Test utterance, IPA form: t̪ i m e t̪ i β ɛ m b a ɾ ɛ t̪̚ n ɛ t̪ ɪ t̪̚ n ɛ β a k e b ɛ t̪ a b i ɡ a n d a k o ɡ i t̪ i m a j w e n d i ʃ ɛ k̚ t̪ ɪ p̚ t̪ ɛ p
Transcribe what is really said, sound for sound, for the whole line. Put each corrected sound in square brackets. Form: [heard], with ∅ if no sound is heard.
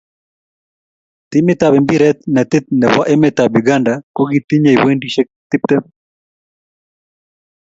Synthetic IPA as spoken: t̪ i m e t̪ [a] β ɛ m b [i] ɾ ɛ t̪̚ n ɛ t̪ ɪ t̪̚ n ɛ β a [ʔ] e [m] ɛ t̪ a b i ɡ a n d a k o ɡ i t̪ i [ɲ] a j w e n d i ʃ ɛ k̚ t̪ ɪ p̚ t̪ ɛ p